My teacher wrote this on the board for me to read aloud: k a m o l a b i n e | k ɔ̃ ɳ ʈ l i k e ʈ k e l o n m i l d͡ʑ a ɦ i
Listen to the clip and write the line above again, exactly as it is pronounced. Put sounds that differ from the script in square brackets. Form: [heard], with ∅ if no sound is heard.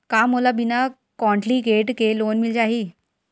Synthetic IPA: k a m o l a b i n [a] | k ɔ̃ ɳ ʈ l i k e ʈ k e l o n m i l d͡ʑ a ɦ i